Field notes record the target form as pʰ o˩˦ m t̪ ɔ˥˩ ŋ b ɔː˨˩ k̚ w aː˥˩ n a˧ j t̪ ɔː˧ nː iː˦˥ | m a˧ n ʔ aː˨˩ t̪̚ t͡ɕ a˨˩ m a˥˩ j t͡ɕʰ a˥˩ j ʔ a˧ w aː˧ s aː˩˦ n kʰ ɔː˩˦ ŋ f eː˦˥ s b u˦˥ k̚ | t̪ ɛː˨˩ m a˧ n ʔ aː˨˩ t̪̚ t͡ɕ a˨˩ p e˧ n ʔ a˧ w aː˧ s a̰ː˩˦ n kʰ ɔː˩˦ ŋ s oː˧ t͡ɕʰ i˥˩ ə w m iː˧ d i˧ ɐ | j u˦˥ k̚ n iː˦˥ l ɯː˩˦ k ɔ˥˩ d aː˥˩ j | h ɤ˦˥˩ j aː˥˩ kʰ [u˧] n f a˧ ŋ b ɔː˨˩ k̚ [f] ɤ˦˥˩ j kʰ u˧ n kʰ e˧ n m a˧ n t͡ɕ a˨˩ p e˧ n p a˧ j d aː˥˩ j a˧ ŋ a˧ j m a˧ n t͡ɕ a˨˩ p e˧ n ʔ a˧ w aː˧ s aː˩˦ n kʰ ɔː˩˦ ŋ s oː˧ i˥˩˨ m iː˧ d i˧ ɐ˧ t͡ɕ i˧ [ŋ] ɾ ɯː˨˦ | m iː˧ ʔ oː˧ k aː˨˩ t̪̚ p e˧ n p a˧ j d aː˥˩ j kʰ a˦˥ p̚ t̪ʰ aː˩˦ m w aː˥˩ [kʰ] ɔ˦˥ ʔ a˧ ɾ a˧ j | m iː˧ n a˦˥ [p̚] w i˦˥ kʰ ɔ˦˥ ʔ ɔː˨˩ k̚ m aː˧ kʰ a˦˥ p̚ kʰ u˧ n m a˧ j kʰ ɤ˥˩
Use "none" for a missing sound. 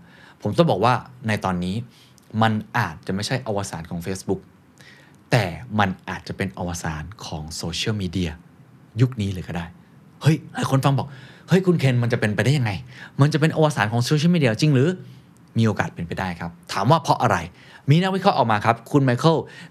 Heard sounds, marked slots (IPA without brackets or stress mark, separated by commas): o˧, h, ŋ, pʰ, k̚